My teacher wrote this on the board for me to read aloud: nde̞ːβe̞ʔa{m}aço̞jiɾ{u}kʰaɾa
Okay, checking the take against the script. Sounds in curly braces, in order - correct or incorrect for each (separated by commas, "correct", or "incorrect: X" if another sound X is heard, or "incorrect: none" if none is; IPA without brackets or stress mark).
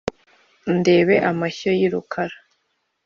correct, correct